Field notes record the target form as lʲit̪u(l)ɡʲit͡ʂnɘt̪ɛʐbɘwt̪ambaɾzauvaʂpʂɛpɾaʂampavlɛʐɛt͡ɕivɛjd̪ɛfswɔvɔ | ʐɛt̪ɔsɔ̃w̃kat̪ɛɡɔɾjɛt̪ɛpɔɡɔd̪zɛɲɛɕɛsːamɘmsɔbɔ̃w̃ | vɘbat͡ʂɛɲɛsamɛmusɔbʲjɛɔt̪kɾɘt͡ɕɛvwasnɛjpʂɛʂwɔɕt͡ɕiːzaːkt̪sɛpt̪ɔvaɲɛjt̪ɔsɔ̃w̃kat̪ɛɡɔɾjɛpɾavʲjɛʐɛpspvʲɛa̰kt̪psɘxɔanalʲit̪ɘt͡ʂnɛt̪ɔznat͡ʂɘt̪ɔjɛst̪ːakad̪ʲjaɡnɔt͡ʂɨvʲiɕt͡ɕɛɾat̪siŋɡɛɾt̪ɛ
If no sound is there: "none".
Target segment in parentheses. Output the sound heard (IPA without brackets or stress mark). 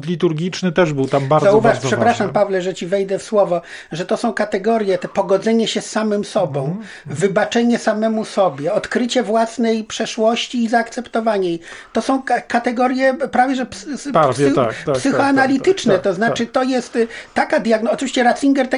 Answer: ɾ